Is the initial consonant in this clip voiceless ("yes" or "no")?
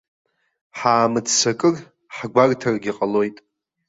yes